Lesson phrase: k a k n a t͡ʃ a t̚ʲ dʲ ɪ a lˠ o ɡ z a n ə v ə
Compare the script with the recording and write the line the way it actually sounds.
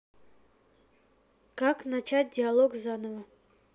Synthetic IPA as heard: k a k n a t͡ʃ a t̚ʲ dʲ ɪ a lˠ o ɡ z a n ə v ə

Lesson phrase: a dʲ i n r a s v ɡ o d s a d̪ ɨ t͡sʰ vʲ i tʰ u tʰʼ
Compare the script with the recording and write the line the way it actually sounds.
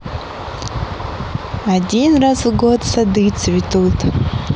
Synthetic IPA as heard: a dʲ i n r a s v ɡ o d s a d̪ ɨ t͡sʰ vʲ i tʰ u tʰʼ

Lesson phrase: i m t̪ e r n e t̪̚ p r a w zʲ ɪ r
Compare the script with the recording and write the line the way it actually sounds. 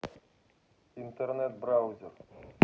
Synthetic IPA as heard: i n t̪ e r n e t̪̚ b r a w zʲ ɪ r

